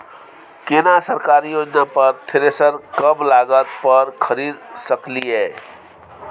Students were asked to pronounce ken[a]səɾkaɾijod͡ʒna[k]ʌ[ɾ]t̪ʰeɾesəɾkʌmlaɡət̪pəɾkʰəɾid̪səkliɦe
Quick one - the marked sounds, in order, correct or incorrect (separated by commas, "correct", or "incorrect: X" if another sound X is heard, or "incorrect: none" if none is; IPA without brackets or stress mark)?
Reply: correct, incorrect: p, correct